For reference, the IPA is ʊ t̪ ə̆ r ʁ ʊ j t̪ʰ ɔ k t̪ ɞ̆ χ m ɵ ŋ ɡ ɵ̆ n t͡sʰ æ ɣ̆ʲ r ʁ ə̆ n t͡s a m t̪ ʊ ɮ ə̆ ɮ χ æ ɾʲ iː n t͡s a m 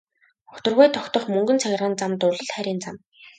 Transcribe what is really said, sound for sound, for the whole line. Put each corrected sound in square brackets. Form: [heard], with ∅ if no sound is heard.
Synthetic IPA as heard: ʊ t̪ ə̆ r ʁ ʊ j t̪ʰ ɔ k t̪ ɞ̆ χ m ɵ ŋ ɡ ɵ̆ n t͡sʰ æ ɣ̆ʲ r ʁ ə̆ n t͡s a m t̪ ʊ ɮ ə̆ ɮ χ æ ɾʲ iː n t͡s a m